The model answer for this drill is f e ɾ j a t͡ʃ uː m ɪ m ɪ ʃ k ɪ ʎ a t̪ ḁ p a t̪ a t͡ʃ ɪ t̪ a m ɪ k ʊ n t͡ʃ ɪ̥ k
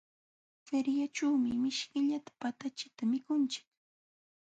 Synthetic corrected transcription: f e ɾ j a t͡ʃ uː m ɪ m ɪ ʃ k ɪ ʎ a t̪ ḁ p a t̪ a t͡ʃ ɪ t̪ a m ɪ k ʊ n t͡ʃ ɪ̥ k